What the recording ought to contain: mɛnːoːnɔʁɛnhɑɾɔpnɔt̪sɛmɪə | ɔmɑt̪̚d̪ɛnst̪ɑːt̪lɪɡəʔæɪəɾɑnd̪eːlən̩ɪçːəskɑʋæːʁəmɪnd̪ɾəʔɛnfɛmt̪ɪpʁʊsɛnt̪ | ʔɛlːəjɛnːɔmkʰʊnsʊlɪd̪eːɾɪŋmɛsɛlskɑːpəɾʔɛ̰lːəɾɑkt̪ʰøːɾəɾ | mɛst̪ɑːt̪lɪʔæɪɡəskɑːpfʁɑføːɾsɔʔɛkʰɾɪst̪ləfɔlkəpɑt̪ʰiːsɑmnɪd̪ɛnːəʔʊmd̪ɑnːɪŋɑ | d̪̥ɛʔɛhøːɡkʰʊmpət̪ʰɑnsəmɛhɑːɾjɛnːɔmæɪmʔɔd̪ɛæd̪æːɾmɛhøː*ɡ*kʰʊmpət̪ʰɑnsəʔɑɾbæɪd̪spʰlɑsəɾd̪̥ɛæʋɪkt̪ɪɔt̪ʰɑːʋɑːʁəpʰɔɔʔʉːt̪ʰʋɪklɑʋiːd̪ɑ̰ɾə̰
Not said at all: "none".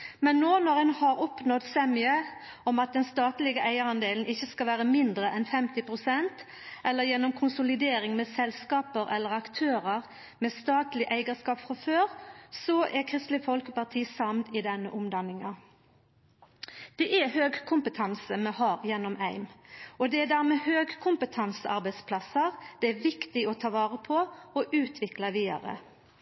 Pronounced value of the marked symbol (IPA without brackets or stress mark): ɡ